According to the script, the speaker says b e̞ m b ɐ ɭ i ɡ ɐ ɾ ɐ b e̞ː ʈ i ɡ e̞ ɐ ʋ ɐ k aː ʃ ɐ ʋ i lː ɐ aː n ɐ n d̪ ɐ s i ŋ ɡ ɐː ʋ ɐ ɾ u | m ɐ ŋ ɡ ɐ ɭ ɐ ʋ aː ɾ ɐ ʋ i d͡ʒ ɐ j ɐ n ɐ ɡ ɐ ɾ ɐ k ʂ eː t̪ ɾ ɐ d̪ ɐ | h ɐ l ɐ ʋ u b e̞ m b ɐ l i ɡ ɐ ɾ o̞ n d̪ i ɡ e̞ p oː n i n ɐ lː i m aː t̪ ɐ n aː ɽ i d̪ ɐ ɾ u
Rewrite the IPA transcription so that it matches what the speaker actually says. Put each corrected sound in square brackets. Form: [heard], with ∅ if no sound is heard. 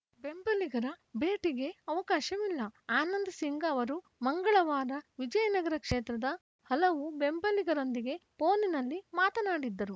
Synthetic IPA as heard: b e̞ m b ɐ [l] i ɡ ɐ ɾ ɐ b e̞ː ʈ i ɡ e̞ ɐ ʋ ɐ k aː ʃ ɐ ʋ i lː ɐ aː n ɐ n d̪ ɐ s i ŋ ɡ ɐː ʋ ɐ ɾ u | m ɐ ŋ ɡ ɐ ɭ ɐ ʋ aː ɾ ɐ ʋ i d͡ʒ ɐ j ɐ n ɐ ɡ ɐ ɾ ɐ k ʂ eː t̪ ɾ ɐ d̪ ɐ | h ɐ l ɐ ʋ u b e̞ m b ɐ l i ɡ ɐ ɾ o̞ n d̪ i ɡ e̞ p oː n i n ɐ lː i m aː t̪ ɐ n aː ɽ i [d̪ː] ɐ ɾ u